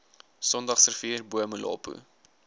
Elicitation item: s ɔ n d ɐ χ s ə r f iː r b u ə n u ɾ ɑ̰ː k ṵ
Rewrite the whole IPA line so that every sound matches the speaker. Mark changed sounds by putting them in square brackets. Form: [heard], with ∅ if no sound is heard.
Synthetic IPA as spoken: s ɔ n d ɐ χ s ə r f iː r b u ə [m] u [l] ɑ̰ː [p] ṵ